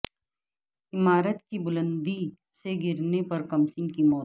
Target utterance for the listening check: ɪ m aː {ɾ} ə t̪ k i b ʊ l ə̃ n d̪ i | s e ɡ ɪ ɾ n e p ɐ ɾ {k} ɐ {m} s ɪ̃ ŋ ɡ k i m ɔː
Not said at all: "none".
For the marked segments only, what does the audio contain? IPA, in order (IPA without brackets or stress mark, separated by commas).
ɾ, k, m